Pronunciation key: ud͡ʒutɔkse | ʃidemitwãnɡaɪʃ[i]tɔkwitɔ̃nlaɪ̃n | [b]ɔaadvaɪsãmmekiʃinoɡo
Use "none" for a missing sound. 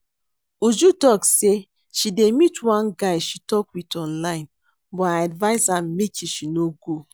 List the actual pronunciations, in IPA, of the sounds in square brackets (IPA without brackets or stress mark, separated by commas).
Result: i, b